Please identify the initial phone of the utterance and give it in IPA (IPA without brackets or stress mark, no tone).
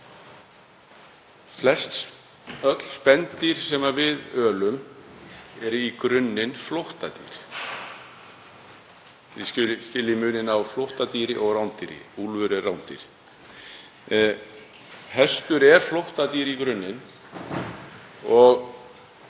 f